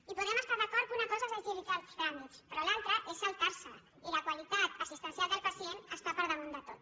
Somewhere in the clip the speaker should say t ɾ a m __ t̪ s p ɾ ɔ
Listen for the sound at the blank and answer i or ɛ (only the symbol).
i